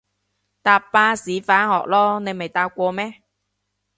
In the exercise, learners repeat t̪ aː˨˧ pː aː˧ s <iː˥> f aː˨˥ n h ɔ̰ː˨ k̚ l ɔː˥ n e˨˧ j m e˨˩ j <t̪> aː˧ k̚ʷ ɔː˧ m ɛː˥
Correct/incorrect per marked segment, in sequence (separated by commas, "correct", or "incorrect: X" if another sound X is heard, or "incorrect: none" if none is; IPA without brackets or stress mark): incorrect: iː˨˥, correct